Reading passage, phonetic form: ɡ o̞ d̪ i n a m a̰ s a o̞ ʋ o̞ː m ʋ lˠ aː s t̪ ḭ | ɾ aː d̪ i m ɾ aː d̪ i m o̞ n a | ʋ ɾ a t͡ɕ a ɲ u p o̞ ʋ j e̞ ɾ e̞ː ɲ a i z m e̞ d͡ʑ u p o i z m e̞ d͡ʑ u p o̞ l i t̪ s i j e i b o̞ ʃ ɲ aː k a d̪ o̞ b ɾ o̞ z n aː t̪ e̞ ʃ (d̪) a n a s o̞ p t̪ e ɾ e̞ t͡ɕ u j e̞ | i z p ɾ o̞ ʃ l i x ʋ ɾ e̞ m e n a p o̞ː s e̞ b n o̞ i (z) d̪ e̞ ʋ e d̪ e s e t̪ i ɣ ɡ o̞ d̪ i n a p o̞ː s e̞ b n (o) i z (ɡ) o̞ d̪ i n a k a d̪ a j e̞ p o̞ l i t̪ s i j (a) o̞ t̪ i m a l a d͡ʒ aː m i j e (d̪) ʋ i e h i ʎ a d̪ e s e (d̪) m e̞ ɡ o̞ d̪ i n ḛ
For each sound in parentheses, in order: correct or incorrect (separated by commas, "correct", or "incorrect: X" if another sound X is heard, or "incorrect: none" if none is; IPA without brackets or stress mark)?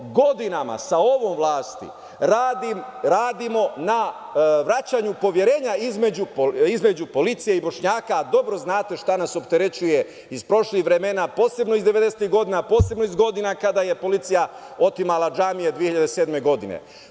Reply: incorrect: t̪, correct, correct, correct, correct, correct, correct